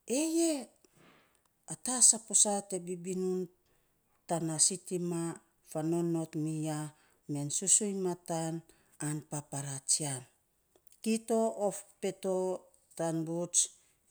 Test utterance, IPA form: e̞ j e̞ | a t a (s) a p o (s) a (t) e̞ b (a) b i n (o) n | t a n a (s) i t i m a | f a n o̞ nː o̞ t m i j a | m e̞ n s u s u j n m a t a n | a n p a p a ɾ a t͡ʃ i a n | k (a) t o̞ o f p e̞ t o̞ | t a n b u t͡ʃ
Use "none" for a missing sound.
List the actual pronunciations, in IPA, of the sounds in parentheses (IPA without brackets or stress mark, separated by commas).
s, s, t, i, u, s, i